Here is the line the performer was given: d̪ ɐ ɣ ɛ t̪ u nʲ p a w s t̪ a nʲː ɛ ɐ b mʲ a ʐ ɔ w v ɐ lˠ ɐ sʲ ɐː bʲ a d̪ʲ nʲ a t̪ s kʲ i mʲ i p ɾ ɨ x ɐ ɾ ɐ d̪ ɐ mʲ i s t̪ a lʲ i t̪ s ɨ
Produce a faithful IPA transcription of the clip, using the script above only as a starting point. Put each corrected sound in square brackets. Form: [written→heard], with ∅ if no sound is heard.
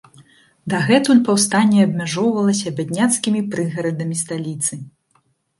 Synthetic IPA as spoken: d̪ ɐ ɣ ɛ t̪ u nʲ p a w s t̪ a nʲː ɛ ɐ b mʲ a ʐ ɔ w v ɐ lˠ ɐ sʲ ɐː bʲ a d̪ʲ nʲ a t̪ s kʲ i mʲ i p ɾ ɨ [x→ɣ] ɐ ɾ ɐ d̪ ɐ mʲ i s t̪ a lʲ i t̪ s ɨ